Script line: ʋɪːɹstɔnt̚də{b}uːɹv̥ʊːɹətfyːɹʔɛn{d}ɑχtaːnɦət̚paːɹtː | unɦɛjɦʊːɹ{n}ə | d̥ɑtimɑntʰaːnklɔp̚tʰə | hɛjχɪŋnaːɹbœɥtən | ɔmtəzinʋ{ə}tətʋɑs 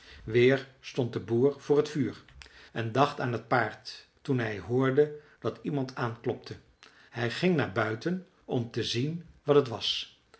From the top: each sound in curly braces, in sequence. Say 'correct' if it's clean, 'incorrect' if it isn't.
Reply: correct, correct, incorrect: d, incorrect: ɑ

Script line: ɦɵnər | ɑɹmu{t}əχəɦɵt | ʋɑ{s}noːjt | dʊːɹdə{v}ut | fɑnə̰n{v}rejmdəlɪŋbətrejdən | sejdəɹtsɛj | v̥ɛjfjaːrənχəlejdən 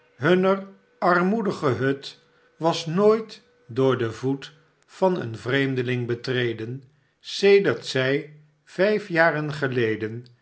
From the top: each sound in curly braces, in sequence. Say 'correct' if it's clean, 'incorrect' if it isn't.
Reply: incorrect: d, correct, correct, correct

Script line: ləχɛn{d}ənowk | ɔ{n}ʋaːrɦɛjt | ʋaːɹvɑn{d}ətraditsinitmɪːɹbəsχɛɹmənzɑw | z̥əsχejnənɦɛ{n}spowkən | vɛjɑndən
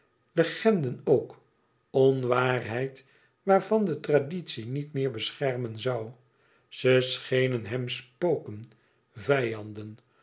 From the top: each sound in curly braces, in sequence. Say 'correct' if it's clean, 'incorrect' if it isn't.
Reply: correct, correct, correct, incorrect: m

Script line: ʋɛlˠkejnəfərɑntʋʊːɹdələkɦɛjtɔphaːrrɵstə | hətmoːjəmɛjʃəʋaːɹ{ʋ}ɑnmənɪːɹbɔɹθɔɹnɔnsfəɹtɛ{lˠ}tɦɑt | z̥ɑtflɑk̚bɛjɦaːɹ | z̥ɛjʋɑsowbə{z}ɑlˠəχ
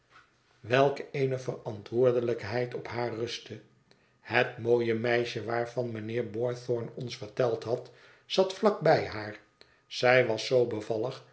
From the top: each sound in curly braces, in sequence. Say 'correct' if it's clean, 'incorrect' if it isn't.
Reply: incorrect: v, correct, incorrect: v

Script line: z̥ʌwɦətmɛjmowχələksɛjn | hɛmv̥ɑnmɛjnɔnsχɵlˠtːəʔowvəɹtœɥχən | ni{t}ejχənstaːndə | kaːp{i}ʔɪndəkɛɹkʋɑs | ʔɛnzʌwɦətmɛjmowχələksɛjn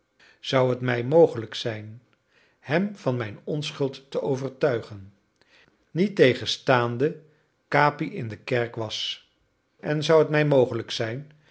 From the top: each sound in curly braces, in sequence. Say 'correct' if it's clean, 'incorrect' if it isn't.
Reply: correct, correct

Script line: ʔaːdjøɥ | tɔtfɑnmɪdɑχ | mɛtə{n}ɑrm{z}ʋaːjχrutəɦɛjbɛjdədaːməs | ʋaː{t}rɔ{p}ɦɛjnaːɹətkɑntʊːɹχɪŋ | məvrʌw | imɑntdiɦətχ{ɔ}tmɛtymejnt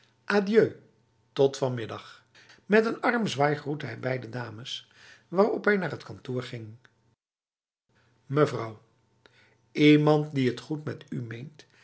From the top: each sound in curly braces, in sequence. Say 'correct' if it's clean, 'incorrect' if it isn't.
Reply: correct, correct, incorrect: none, correct, incorrect: u

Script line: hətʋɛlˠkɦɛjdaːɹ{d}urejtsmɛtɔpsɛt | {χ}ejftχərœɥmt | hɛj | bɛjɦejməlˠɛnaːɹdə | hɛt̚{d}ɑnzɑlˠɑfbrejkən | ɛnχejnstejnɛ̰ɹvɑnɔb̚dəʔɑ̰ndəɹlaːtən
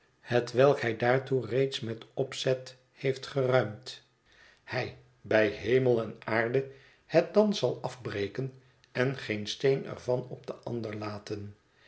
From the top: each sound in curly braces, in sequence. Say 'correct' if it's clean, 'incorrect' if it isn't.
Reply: incorrect: t, incorrect: h, correct

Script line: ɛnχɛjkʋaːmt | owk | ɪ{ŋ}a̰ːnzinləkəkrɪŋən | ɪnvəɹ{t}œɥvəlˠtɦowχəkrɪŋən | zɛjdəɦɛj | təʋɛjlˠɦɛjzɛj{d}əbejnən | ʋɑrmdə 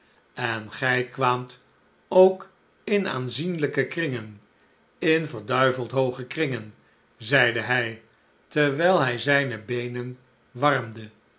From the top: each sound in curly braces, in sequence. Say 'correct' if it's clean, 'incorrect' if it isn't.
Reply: incorrect: n, incorrect: d, incorrect: n

